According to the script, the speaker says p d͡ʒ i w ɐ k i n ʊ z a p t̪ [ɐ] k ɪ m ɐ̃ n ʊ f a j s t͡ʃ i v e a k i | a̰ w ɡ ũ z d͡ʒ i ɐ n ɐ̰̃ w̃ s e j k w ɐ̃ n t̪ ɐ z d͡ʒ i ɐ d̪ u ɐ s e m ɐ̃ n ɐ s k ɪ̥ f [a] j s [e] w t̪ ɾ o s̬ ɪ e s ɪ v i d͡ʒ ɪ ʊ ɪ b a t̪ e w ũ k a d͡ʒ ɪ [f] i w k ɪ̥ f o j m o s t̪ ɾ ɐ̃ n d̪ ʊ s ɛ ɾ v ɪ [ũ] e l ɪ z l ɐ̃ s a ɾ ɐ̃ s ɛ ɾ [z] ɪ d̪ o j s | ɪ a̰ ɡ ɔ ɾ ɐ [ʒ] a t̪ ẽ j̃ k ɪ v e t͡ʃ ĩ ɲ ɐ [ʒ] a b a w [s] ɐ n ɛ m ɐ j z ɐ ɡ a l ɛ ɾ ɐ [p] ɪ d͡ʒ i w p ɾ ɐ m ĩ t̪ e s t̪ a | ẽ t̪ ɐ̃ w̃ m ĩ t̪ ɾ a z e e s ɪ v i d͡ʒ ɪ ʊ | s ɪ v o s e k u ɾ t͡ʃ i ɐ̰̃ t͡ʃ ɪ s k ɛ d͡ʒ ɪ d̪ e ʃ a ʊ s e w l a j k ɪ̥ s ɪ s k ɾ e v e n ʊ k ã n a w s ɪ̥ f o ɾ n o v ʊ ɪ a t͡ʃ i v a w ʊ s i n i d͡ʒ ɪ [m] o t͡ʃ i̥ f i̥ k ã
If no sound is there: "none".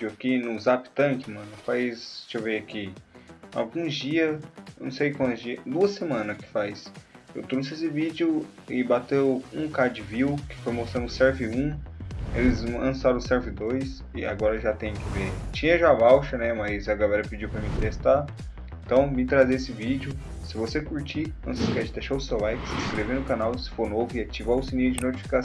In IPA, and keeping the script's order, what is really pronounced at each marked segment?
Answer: ɐ̃, a, e, v, ũ, v, ʒ, ʒ, ʃ, p, n

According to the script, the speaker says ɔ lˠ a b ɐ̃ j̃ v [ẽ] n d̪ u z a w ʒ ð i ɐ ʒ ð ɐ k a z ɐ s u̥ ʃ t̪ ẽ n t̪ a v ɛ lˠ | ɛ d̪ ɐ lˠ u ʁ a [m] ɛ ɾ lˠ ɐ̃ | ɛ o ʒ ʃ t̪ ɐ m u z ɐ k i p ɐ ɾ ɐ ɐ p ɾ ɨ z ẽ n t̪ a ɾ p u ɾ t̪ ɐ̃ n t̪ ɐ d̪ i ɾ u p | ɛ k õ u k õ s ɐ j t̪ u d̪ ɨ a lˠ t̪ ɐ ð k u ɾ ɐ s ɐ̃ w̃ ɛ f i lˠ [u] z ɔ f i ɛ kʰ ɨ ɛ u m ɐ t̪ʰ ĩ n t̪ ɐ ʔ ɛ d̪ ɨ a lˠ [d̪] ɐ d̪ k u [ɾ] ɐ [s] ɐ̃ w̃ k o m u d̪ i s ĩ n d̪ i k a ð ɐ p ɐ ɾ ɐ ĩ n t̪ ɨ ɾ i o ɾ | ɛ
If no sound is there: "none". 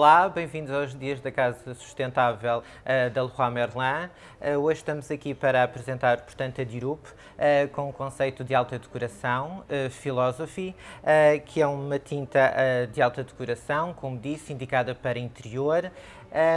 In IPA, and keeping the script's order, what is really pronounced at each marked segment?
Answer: ĩ, m, ɔ, t̪, ɾ, s

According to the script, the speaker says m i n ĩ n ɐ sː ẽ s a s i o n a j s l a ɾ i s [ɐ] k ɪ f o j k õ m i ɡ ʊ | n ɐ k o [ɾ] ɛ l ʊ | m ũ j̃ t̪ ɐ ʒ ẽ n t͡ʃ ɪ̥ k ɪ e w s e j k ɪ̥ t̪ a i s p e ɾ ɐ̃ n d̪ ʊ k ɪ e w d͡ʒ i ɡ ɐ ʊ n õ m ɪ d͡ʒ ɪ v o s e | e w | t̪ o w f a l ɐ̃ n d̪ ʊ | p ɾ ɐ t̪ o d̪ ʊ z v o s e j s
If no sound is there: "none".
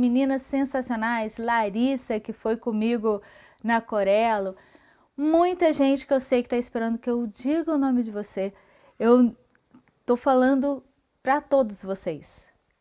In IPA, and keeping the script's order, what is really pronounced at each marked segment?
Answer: ɐ, ɾ

